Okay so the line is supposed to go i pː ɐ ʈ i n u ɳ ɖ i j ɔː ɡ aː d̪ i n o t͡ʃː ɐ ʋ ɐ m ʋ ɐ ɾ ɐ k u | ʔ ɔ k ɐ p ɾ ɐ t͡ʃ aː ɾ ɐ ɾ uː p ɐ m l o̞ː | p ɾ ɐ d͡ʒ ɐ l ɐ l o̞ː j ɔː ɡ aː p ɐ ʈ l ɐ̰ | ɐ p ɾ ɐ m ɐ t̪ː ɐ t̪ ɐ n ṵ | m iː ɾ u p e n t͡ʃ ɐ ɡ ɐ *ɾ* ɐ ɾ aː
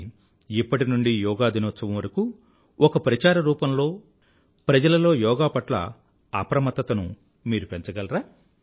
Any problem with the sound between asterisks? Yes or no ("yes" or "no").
yes